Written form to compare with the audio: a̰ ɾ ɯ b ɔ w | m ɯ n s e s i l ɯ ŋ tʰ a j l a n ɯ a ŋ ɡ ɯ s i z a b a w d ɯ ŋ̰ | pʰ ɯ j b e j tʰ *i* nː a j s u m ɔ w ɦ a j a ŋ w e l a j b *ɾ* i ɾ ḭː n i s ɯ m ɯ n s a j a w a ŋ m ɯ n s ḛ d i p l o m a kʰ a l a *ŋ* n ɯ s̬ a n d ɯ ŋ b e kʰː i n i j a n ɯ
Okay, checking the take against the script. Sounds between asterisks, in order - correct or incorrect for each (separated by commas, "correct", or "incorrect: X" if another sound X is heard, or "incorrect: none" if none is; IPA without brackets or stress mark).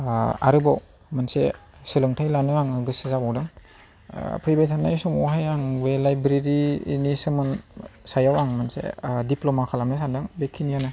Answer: incorrect: a, correct, incorrect: m